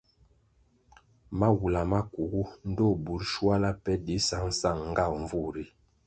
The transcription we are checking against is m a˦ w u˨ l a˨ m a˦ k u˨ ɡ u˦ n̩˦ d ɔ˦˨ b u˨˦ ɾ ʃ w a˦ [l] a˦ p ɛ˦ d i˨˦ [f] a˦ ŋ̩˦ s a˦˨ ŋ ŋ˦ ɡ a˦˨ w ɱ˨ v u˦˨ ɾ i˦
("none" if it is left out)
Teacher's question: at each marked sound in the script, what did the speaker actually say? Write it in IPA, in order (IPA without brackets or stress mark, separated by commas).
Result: l, s